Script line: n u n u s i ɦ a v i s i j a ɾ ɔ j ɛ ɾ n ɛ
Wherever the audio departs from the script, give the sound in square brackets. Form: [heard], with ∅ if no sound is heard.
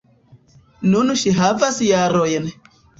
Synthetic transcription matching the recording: n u n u [ʃ] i ɦ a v [a] s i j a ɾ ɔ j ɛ [∅] n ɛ